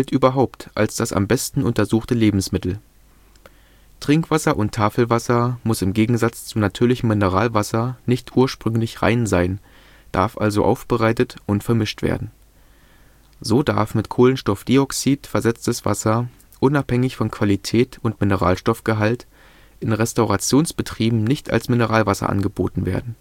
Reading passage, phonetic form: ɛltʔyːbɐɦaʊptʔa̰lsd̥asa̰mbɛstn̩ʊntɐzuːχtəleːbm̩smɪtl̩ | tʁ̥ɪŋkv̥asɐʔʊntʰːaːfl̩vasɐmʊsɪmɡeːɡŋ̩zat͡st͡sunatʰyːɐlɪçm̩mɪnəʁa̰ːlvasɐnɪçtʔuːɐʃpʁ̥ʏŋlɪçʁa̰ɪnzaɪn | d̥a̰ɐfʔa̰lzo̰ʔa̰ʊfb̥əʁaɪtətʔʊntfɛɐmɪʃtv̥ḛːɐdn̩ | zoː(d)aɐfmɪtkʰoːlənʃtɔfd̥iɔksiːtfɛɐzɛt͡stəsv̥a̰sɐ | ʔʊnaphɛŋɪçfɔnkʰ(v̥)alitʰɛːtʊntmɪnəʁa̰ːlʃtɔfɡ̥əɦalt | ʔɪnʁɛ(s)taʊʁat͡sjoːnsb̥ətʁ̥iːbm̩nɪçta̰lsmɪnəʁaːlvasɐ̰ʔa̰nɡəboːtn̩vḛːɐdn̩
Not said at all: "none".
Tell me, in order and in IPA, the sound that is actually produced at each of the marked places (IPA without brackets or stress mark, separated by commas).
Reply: d, v̥, s